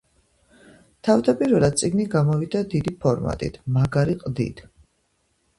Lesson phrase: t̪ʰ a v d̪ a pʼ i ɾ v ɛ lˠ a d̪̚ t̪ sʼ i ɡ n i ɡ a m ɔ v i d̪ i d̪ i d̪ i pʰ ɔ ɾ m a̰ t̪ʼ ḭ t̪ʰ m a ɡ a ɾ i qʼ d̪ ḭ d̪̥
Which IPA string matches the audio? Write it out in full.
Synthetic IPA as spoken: t̪ʰ a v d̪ a pʼ i ɾ v ɛ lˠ a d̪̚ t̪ sʼ i ɡ n i ɡ a m ɔ v i d̪ a d̪ i d̪ i pʰ ɔ ɾ m a̰ t̪ʼ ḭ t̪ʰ m a ɡ a ɾ i qʼ d̪ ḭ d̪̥